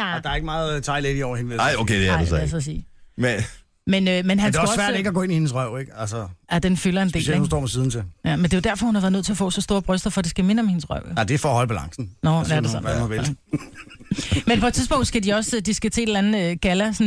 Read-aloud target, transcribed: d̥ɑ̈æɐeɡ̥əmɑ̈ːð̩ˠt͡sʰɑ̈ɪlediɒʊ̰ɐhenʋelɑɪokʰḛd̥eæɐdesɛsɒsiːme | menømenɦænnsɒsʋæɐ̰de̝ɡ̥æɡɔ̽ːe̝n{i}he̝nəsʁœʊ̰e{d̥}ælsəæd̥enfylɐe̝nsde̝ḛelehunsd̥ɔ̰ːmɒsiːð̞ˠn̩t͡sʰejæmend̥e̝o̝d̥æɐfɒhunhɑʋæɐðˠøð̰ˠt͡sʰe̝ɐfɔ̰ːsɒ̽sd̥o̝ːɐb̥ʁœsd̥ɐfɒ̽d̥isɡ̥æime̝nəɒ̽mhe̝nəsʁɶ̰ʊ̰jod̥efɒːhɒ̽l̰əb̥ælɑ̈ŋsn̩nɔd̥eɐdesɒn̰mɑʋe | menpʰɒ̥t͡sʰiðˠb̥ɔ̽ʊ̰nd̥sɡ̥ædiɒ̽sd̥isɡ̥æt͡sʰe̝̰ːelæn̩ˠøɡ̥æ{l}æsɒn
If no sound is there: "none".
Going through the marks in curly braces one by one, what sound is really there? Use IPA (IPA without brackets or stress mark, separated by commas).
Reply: i, ɡ̥, l